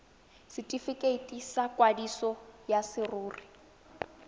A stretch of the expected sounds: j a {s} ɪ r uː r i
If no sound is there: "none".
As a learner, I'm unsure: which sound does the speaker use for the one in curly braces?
s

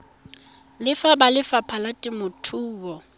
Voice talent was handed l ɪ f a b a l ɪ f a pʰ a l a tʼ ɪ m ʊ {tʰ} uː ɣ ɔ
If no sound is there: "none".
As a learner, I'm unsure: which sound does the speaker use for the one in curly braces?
tʰ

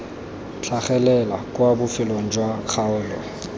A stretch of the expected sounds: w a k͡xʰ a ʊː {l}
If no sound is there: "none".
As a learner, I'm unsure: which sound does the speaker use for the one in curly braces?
l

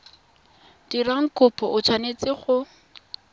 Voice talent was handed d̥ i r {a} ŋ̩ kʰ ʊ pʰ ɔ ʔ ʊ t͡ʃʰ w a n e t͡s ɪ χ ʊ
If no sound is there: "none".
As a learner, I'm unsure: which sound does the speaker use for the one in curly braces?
a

